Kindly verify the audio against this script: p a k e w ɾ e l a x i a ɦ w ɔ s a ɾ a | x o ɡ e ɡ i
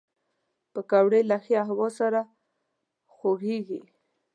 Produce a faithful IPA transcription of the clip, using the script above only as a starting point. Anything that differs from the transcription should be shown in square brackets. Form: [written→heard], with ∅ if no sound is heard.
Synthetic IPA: p [a→ə] k [e→a] w [ɾ→ɽ] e l a x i a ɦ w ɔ s a ɾ a | x o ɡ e ɡ i